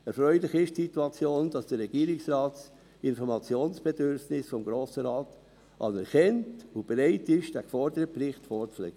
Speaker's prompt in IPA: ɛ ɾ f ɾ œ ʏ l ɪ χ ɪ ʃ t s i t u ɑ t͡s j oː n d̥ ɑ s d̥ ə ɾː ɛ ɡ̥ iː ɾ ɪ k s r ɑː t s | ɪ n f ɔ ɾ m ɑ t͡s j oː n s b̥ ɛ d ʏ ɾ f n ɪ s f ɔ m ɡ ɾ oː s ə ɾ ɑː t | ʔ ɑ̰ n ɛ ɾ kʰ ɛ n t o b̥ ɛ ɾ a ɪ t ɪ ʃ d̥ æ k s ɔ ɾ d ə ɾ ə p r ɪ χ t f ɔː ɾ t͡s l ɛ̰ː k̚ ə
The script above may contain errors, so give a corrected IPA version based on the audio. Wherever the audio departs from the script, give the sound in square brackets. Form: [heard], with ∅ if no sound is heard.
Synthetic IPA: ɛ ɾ f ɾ œ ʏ l ɪ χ ɪ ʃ t s i t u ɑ t͡s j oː n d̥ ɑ s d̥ ə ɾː ɛ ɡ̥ iː ɾ ɪ k s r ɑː t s | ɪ n f ɔ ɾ m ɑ t͡s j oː n s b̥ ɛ d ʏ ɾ f n ɪ s f ɔ m ɡ ɾ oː s ə ɾ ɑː t | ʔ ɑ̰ n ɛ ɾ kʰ ɛ n t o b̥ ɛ ɾ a ɪ t ɪ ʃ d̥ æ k [f] ɔ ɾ d ə ɾ ə p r ɪ χ t f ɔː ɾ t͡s l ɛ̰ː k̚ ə